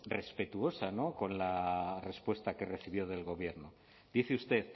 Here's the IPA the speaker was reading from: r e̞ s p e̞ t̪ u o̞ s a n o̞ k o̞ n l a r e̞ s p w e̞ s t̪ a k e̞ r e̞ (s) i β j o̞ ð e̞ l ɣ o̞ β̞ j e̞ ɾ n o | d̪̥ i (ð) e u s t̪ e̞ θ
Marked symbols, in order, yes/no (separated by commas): no, no